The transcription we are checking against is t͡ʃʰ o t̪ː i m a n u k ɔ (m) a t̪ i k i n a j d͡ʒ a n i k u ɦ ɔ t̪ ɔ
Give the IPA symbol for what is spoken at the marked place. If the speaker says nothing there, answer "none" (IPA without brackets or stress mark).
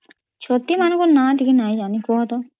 n